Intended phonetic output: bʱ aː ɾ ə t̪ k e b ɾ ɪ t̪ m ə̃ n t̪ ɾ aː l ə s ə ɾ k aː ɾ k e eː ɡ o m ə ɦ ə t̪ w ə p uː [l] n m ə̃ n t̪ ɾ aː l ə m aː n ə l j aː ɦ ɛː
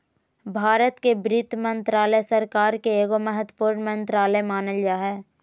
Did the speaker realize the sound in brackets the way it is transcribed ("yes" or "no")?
no